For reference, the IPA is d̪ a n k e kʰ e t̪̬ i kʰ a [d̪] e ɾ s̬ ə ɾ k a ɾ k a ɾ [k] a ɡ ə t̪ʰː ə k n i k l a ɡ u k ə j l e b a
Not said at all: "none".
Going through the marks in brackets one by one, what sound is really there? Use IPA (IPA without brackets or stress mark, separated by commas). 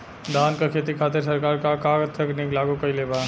t̪, k